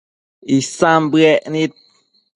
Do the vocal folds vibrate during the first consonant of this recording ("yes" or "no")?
no